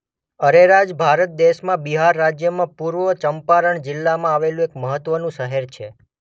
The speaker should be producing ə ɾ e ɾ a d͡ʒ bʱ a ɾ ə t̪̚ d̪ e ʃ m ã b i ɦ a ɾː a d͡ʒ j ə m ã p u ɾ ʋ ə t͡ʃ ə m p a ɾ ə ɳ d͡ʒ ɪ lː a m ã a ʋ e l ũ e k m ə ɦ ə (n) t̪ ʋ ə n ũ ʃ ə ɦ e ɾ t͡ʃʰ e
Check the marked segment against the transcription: incorrect: none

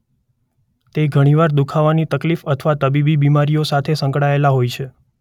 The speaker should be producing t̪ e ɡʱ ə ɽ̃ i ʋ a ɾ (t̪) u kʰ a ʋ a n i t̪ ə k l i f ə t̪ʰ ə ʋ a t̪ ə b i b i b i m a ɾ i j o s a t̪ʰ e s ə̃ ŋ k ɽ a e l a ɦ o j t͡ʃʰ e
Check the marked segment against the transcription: incorrect: d̪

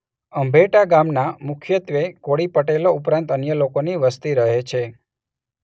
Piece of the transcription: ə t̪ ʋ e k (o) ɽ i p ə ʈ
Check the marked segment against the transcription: correct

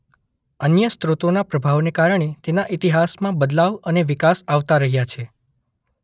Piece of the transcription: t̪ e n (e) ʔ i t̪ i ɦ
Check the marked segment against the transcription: incorrect: a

